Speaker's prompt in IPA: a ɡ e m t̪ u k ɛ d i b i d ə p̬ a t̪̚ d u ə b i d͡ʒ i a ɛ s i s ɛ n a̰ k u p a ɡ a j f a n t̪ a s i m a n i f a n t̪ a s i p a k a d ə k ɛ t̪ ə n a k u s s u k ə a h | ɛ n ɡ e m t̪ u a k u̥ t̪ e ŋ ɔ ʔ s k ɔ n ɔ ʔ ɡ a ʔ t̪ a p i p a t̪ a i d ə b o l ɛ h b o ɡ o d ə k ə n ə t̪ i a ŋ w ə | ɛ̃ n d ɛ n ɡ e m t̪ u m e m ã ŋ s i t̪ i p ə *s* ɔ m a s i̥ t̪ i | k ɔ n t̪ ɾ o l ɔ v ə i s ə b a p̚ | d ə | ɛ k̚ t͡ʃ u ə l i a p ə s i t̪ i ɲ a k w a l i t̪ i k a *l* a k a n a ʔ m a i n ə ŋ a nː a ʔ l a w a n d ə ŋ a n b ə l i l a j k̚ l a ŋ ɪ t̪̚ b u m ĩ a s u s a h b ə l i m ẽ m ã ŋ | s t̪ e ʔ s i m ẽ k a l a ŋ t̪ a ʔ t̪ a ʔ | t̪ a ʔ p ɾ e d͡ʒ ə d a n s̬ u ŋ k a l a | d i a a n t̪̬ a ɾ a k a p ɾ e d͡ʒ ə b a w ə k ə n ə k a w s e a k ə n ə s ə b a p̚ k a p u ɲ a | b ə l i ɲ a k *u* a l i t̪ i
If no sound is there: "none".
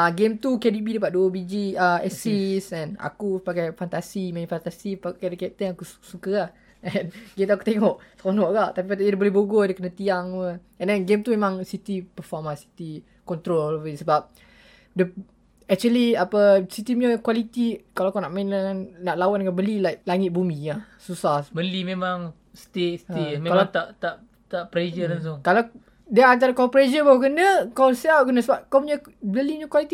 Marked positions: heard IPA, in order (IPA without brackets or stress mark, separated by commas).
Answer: f, l, w